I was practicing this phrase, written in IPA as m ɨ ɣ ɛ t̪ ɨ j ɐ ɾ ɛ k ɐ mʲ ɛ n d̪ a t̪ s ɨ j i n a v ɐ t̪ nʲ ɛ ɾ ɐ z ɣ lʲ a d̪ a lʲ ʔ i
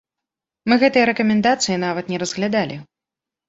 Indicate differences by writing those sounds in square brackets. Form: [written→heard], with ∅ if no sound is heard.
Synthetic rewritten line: m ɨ ɣ ɛ t̪ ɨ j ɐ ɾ ɛ k ɐ mʲ ɛ n d̪ a t̪ s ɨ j i n a v ɐ t̪ nʲ ɛ ɾ ɐ z ɣ lʲ a d̪ a lʲ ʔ i